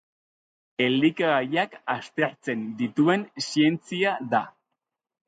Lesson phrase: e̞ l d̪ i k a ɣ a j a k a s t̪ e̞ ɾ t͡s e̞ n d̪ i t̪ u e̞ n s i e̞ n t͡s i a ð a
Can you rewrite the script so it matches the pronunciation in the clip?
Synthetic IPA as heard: e̞ l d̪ i k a ɣ a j a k a s t̪ e̞ ɾ t͡s e̞ n d̪ i t̪ u e̞ n s i e̞ n t͡s i a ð a